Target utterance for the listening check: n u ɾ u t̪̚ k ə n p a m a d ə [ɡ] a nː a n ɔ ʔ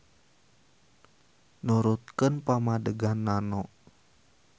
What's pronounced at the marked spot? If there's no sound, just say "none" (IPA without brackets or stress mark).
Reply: ɡ